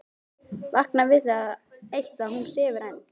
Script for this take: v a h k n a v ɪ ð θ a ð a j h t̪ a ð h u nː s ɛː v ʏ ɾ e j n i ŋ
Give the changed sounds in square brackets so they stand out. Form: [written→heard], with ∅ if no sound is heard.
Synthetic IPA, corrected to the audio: v a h k n a v ɪ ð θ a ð [a→e] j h t̪ a ð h u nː s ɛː v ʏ ɾ [e→a] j n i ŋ